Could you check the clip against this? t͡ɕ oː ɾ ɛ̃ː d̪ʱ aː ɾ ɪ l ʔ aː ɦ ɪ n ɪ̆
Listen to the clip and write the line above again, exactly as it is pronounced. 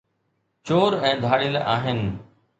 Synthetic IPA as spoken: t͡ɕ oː ɾ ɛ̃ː d̪ʱ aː ɽ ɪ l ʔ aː ɦ ɪ n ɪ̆

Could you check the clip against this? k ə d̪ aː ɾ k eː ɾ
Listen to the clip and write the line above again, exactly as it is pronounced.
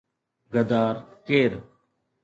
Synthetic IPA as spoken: ɡ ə d̪ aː ɾ k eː ɾ

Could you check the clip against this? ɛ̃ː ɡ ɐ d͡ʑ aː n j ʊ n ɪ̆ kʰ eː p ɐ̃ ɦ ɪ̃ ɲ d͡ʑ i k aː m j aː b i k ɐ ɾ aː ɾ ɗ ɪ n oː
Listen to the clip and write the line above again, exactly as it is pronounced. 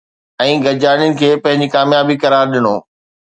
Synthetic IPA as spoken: ɛ̃ː ɡ ɐ d͡ʑ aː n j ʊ n ɪ̆ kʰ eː p ɐ̃ ɦ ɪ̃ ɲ d͡ʑ i k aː m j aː b i k ɐ ɾ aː ɾ ɗ ɪ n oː

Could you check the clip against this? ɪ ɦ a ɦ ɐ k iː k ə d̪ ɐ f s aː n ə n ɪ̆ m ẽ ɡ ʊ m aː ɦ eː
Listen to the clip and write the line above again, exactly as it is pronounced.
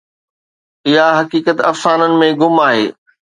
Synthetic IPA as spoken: ɪ ɦ a ɦ ɐ k iː k ə t̪ ɐ f s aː n ə n ɪ̆ m ẽ ɡ ʊ m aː ɦ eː

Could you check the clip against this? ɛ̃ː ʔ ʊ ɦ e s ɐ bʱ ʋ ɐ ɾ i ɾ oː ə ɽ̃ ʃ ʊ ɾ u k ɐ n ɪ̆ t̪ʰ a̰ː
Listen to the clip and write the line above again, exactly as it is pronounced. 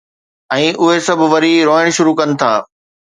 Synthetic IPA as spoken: ɛ̃ː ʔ ʊ ɦ e s ɐ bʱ ʋ ɐ ɾ i ɾ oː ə ɽ̃ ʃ ʊ ɾ u k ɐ n ɪ̆ t̪ʰ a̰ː

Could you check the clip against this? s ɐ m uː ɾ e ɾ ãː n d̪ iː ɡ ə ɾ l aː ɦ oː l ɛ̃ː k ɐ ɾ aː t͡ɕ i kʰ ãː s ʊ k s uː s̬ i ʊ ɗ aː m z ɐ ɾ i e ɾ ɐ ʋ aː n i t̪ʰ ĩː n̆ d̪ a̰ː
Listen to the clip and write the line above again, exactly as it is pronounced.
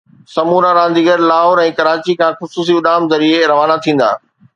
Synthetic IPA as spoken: s ɐ m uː ɾ a ɾ ãː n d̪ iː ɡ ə ɾ l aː ɦ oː ɾ ɛ̃ː k ɐ ɾ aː t͡ɕ i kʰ ãː x ʊ s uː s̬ i ʊ ɗ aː m z ɐ ɾ i e ɾ ɐ ʋ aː n a t̪ʰ ĩː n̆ d̪ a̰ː

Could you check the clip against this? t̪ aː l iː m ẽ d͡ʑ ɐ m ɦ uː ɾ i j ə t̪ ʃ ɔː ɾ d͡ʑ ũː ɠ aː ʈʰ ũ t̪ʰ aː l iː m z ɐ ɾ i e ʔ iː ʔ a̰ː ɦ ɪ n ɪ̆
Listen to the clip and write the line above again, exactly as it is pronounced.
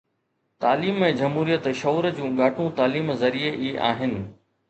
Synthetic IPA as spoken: t̪ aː l iː m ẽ d͡ʑ ɐ m ɦ uː ɾ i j ə t̪ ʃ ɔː ɾ d͡ʑ ũː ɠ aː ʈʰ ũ t̪ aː l iː m z ɐ ɾ i e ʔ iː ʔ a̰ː ɦ ɪ n ɪ̆

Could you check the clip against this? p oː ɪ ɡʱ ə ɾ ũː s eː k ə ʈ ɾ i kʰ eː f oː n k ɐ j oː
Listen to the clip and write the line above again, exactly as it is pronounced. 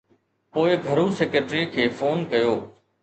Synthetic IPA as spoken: p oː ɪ ɡʱ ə ɾ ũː s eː k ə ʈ ɾ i kʰ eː f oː n k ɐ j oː

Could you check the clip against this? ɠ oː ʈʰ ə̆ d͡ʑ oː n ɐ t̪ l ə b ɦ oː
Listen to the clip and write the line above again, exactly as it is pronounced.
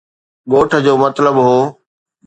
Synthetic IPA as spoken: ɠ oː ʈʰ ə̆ d͡ʑ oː m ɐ t̪ l ə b ɦ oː

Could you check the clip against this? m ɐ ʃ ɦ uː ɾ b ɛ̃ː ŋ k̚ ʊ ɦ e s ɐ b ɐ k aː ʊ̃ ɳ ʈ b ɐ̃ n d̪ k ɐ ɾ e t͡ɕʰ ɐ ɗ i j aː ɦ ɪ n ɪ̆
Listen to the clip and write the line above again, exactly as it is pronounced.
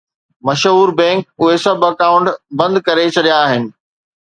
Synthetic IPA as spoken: m ɐ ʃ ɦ uː ɾ b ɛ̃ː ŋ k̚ ʊ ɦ e s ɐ b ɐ k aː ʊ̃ ɳ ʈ b ɐ̃ n d̪ k ɐ ɾ e t͡ɕʰ ɐ ɗ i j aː ɦ ɪ n ɪ̆

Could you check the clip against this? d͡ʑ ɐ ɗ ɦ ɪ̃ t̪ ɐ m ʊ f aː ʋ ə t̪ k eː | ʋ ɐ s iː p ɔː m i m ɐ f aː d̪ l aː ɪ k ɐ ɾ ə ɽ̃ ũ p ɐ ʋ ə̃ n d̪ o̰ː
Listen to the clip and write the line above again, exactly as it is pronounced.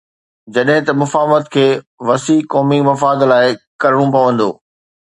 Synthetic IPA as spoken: d͡ʑ ɐ ɗ ɦ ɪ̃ t̪ ɐ m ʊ f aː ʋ ə t̪ kʰ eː | ʋ ɐ s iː k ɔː m i m ɐ f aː d̪ l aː ɪ k ɐ ɾ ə ɽ̃ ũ p ɐ ʋ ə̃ n d̪ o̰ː

